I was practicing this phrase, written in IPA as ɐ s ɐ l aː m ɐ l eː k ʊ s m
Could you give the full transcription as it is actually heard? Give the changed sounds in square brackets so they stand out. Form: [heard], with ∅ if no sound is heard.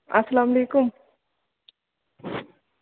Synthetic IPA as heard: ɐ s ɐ l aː m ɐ l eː k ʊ [∅] m